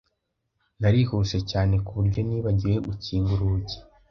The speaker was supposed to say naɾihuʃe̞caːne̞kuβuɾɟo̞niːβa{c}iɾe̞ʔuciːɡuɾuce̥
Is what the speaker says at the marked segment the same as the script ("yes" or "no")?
no